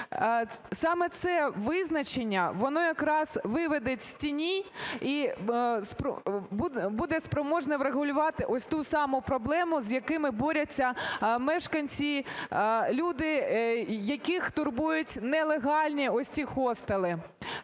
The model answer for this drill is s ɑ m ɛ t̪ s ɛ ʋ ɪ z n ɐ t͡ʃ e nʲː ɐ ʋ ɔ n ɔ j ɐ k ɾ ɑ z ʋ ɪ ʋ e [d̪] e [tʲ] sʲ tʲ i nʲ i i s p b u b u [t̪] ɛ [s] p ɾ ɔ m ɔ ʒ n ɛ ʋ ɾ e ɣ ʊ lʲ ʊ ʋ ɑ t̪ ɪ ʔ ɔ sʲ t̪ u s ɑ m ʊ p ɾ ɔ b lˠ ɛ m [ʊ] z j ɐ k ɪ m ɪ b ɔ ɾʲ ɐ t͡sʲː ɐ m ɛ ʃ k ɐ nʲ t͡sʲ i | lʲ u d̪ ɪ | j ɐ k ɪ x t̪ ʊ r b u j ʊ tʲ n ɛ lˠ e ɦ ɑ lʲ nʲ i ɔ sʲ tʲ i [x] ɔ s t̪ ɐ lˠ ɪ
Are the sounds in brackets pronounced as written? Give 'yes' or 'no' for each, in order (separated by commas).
yes, yes, no, yes, yes, yes